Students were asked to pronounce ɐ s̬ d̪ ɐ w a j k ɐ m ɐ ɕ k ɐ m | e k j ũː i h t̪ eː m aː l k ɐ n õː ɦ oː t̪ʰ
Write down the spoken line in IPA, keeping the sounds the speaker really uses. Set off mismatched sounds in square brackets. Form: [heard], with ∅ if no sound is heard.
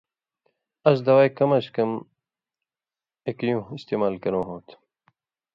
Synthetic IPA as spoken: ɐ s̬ d̪ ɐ w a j k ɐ m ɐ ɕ k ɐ m | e k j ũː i [s] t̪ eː m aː l k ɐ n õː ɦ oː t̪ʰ